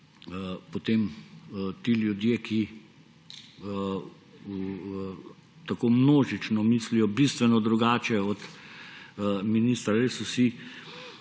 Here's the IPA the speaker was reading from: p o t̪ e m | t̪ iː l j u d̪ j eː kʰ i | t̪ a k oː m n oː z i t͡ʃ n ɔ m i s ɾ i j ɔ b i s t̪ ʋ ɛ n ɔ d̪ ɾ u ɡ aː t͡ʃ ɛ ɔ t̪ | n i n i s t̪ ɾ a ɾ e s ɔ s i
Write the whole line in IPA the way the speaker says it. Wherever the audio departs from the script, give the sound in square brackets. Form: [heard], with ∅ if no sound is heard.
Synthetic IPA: p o t̪ e m | t̪ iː l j u d̪ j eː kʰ i | t̪ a k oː m n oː [ʒ] i t͡ʃ n ɔ m i s [l] i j ɔ b i s t̪ ʋ ɛ n ɔ d̪ ɾ u ɡ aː t͡ʃ ɛ ɔ t̪ | [m] i n i s t̪ ɾ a ɾ e s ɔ s i